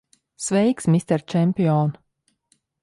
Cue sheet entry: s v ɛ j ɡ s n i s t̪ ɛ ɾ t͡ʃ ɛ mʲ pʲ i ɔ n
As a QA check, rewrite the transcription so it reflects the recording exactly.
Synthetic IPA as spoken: s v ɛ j k s m i s t̪ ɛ ɾ t͡ʃ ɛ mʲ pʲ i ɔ n